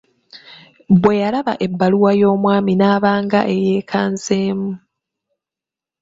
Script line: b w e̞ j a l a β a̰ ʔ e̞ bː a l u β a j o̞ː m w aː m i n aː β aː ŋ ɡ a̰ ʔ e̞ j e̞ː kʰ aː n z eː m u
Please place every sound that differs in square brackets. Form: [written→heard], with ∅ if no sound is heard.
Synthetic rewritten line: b w e̞ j a l a β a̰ ʔ e̞ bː a l u [β→w] a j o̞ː m w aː m i n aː β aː ŋ ɡ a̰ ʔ e̞ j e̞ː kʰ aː n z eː m u